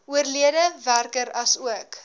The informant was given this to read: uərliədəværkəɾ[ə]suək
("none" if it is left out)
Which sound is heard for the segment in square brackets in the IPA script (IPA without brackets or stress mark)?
ɐ